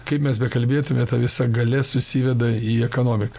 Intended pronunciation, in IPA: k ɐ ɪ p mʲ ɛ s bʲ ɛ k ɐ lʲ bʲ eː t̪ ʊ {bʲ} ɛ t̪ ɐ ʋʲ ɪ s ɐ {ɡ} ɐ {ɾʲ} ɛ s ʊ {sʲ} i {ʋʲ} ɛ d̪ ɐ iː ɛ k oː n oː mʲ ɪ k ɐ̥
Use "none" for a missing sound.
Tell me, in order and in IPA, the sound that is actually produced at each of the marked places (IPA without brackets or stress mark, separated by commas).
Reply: mʲ, ɡ, lʲ, sʲ, ʋʲ